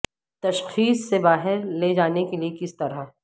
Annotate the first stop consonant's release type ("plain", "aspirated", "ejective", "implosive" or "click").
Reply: plain